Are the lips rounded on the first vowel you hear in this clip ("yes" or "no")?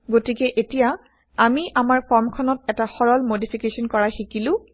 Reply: yes